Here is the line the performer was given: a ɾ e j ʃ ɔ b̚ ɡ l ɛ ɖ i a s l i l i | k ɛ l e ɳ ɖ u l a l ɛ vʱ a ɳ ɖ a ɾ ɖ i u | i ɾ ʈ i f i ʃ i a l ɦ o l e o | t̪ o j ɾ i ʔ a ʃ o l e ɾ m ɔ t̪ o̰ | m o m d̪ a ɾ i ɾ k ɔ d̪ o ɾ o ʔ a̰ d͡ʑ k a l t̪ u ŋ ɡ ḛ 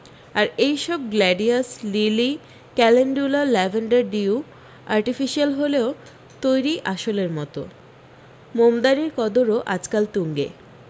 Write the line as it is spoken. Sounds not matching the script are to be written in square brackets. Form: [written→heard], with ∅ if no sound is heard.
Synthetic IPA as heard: a ɾ e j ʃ ɔ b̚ ɡ l ɛ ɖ i a s l i l i | k ɛ l e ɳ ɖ u l a l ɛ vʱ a ɳ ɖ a ɾ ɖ i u | [i→a] ɾ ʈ i f i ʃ i a l ɦ o l e o | t̪ o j ɾ i ʔ a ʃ o l e ɾ m ɔ t̪ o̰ | m o m d̪ a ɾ i ɾ k ɔ d̪ o ɾ o ʔ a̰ d͡ʑ k a l t̪ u ŋ ɡ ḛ